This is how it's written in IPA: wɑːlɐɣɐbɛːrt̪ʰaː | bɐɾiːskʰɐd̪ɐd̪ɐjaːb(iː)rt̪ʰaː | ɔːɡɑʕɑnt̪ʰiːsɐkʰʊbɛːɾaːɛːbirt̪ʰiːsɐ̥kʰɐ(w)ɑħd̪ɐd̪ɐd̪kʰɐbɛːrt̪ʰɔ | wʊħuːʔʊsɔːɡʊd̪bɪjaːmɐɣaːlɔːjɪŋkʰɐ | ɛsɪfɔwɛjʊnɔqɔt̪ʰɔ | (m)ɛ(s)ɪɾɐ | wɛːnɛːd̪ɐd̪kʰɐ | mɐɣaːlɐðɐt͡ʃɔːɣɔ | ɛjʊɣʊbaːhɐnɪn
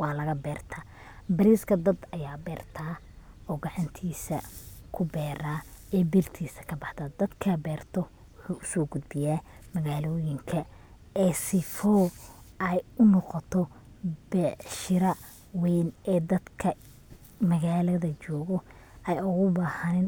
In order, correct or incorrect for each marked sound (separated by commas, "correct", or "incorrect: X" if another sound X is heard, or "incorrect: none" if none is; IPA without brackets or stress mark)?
incorrect: ɛː, incorrect: b, incorrect: b, incorrect: ʃ